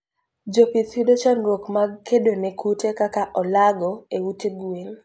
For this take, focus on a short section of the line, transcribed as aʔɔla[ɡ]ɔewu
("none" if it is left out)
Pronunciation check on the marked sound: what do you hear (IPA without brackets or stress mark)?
ɡ